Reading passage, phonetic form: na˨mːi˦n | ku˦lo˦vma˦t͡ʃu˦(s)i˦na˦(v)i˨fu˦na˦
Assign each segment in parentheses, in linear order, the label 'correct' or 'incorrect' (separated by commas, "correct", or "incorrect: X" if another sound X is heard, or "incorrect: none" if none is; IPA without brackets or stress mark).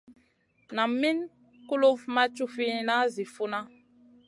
incorrect: f, incorrect: z